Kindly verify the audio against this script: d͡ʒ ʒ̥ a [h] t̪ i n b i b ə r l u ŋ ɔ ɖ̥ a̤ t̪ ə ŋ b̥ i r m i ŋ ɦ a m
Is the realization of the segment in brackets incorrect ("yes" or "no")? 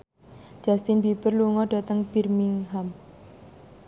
yes